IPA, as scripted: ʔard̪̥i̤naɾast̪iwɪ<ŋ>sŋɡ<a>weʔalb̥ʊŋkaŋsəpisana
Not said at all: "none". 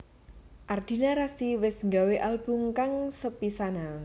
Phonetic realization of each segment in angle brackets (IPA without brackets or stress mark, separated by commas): none, a